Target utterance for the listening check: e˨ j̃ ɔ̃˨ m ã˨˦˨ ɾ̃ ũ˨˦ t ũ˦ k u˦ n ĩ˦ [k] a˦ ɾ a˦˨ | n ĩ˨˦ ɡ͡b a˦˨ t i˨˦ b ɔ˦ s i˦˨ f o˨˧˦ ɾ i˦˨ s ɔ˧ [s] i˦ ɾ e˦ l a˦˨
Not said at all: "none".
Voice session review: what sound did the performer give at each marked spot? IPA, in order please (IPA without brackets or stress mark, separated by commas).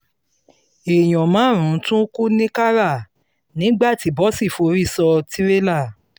k, t